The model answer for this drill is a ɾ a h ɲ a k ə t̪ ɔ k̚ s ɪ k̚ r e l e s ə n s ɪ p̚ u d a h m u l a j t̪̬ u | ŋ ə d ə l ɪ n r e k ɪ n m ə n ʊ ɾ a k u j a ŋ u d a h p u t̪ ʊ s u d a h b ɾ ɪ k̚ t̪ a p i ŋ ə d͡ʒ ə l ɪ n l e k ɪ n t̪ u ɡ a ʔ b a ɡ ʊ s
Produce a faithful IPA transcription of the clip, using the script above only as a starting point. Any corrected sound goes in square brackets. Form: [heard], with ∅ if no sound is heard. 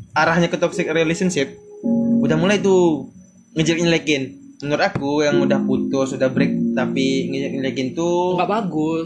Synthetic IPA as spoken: a ɾ a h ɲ a k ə t̪ ɔ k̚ s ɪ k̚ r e l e s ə n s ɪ p̚ u d a h m u l a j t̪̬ u | ŋ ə [d͡ʒ] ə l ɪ n [l] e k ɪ n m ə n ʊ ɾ a k u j a ŋ u d a h p u t̪ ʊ s u d a h b ɾ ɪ k̚ t̪ a p i ŋ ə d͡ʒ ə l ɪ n l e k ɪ n t̪ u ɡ a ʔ b a ɡ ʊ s